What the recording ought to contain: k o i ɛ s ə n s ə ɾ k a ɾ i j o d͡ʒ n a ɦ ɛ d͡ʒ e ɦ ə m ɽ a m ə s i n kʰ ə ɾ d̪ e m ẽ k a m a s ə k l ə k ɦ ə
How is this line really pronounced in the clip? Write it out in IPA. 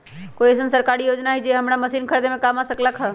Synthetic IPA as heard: k o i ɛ s ə n s ə ɾ k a ɾ i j o d͡ʒ n a ɦ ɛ d͡ʒ e ɦ ə m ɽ a m ə s i n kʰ ə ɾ d̪ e m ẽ k a m a s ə k l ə k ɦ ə